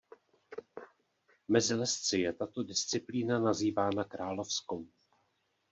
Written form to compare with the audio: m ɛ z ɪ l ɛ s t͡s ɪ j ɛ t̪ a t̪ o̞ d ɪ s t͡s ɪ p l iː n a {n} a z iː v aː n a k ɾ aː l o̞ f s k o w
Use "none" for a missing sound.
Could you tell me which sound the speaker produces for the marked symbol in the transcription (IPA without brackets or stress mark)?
n